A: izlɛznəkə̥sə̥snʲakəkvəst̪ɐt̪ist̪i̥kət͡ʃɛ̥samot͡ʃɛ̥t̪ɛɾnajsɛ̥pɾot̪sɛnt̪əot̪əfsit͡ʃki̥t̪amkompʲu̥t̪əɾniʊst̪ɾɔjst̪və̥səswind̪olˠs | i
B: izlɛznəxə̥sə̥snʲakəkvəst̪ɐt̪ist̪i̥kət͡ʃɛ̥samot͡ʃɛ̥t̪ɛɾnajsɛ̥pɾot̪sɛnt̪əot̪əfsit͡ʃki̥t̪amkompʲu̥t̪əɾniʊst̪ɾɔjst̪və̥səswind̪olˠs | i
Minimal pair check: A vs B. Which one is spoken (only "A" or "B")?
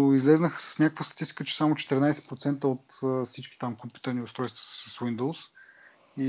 B